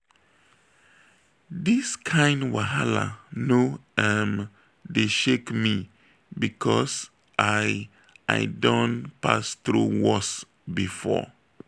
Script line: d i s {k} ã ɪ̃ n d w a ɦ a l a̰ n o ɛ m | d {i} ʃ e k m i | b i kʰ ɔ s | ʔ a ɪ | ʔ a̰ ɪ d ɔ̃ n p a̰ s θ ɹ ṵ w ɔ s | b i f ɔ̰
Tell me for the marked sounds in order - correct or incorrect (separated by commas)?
incorrect, incorrect